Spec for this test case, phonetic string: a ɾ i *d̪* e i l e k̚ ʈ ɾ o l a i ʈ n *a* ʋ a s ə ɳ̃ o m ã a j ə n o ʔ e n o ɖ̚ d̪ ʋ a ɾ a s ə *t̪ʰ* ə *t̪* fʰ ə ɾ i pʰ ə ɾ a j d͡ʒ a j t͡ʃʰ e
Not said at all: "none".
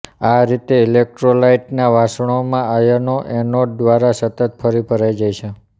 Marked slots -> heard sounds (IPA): t̪, a, t̪, t̪

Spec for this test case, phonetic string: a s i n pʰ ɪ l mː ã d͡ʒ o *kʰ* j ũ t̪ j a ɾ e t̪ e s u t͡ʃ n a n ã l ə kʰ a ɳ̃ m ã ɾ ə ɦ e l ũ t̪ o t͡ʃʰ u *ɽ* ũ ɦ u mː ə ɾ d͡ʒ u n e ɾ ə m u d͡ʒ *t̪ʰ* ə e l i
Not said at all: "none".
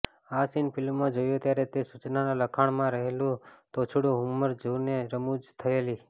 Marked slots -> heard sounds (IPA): none, ɽ, t̪ʰ

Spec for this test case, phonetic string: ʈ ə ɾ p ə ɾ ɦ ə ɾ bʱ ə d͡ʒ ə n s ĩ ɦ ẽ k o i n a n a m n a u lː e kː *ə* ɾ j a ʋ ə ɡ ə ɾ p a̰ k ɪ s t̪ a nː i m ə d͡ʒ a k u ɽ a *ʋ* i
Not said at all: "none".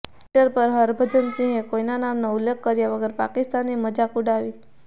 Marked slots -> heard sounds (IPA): ə, ʋ

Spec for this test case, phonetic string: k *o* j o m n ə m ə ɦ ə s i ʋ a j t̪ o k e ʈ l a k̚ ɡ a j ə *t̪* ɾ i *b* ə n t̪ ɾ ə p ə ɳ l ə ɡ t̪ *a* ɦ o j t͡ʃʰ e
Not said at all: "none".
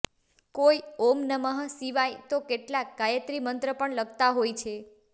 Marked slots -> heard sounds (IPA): o, t̪, m, a

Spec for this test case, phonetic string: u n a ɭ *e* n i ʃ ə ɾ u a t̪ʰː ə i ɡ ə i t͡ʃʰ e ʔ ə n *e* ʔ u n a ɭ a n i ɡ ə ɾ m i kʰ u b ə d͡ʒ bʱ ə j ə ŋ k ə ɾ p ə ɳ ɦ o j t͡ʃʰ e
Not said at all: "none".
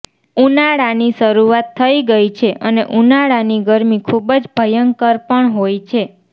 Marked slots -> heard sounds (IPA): a, e

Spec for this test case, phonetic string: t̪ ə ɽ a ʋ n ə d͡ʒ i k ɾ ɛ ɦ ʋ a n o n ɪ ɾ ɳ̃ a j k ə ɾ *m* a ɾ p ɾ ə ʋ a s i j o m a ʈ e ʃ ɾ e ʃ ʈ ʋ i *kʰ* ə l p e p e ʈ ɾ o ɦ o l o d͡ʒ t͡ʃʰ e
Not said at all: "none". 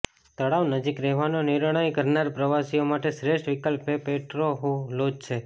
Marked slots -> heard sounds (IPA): n, k

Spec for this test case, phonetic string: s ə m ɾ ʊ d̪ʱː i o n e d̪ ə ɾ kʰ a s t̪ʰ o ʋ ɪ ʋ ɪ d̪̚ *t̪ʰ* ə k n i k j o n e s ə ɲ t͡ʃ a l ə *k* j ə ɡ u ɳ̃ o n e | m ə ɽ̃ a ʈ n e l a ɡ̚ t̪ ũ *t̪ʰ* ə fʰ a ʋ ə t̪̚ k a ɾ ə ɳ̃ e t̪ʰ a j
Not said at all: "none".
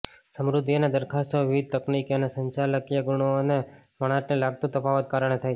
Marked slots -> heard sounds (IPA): t̪, k, t̪

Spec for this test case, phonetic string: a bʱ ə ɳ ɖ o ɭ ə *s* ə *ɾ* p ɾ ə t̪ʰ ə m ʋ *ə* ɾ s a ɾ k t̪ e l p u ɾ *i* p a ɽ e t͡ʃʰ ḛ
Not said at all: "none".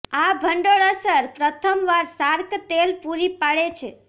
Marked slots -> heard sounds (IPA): s, ɾ, a, i

